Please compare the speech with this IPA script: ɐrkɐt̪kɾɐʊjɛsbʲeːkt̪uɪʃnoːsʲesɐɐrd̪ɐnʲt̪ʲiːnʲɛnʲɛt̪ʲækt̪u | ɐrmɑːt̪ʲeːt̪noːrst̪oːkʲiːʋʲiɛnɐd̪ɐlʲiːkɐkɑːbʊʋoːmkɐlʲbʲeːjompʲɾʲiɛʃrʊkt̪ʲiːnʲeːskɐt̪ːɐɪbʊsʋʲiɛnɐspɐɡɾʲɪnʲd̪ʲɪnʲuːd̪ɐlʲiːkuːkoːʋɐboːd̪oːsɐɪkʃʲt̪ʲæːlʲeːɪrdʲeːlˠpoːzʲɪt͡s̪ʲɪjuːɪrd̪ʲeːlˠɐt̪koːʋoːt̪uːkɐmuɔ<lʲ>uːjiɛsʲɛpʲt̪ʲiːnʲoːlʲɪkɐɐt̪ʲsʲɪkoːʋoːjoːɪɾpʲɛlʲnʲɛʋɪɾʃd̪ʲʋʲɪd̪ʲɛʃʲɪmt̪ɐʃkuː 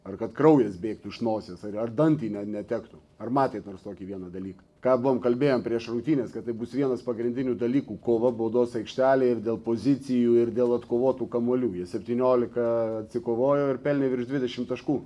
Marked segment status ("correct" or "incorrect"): correct